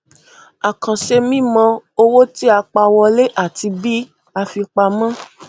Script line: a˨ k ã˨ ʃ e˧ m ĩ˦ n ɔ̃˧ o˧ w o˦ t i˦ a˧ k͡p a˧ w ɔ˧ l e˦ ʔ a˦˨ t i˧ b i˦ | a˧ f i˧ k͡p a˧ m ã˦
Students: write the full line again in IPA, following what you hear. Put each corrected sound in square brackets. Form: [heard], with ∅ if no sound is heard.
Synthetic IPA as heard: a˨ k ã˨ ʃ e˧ m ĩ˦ [m] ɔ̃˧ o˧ w o˦ t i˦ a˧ k͡p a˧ w ɔ˧ l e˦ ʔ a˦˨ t i˧ b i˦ | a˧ f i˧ k͡p a˧ m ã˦